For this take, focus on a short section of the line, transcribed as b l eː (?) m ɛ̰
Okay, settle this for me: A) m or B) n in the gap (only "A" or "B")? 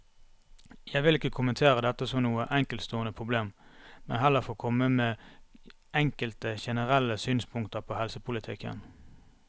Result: A